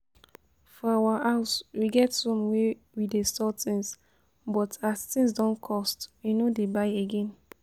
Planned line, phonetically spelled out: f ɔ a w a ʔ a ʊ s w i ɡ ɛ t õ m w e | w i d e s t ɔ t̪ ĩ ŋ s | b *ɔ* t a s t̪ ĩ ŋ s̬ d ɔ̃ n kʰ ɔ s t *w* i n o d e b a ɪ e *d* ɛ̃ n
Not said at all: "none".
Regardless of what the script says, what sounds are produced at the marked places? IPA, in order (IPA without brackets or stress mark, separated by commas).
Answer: ɔ, w, ɡ